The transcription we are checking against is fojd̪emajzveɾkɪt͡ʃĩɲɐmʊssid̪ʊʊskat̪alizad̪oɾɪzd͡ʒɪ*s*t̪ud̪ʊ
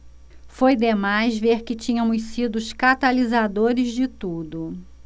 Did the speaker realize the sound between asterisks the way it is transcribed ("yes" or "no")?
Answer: no